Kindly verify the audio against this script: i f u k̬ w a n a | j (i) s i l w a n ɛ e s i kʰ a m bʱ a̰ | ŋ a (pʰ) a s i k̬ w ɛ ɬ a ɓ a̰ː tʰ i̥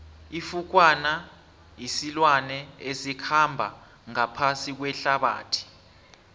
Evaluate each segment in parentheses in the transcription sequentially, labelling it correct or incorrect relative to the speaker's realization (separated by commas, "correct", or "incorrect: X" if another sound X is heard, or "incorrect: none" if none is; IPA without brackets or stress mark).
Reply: correct, correct